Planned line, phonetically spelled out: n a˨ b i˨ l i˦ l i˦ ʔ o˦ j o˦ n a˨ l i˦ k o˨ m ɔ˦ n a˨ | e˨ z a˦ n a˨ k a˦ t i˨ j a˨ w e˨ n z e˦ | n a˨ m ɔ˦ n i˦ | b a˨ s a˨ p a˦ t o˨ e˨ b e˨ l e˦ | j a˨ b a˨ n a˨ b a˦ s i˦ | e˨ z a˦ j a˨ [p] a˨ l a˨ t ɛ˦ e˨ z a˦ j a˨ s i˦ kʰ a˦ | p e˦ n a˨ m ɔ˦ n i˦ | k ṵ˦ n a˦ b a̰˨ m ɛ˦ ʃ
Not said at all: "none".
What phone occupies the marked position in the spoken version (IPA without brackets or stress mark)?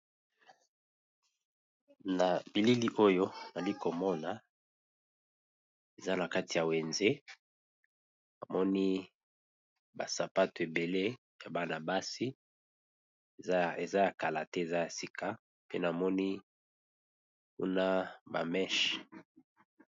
k